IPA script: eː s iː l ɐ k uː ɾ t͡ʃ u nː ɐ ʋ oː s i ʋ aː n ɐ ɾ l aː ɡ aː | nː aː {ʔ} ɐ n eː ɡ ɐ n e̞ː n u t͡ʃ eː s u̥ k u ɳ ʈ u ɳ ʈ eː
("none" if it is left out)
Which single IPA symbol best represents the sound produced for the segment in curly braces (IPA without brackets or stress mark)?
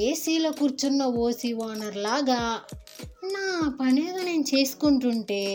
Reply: p